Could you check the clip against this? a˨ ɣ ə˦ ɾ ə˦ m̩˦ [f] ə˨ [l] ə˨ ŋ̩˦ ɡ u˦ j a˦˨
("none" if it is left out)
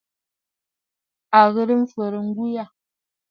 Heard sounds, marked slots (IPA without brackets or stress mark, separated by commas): f, ɾ